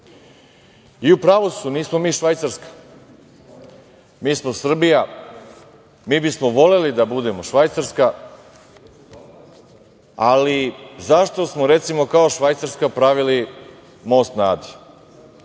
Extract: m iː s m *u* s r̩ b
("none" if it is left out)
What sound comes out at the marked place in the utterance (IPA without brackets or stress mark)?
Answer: o